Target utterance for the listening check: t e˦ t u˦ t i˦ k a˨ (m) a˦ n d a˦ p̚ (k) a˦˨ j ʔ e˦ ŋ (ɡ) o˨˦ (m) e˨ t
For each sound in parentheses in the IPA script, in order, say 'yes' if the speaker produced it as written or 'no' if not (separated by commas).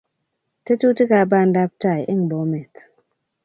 no, no, no, yes